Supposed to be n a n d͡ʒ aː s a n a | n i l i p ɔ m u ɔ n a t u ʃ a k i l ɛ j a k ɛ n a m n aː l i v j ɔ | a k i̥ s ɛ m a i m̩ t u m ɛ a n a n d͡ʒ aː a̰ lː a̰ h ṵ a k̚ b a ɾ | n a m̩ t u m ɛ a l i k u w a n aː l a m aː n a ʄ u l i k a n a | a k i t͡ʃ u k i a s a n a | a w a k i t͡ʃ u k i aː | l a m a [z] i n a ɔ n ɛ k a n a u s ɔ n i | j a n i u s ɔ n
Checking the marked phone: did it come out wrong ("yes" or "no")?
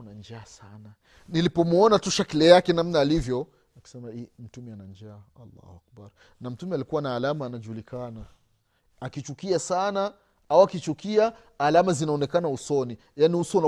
no